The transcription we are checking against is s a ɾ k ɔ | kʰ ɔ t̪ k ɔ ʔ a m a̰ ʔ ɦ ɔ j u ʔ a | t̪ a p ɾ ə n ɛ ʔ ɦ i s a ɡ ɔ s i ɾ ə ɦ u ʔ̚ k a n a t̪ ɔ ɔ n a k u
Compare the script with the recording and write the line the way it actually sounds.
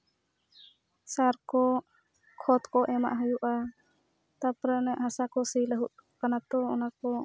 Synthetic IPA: s a ɾ k ɔ | kʰ ɔ t̪ k ɔ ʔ ɛ m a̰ ʔ ɦ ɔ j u ʔ a | t̪ a p ɾ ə n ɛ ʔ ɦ a s a k ɔ s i l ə ɦ u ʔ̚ k a n a t̪ ɔ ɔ n a k ɔ